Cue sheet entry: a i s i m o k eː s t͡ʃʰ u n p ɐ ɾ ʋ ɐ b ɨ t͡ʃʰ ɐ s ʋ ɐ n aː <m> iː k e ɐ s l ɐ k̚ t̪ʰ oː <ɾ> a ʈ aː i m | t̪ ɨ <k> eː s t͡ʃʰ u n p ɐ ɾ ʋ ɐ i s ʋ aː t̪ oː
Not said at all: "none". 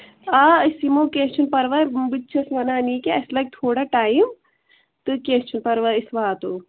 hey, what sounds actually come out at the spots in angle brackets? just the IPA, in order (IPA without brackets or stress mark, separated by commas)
n, ɽ, k